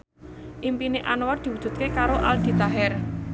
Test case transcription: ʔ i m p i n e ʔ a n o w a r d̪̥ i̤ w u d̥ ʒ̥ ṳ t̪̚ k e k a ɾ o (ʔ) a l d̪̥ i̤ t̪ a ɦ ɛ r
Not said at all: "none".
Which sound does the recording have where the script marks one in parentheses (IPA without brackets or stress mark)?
ʔ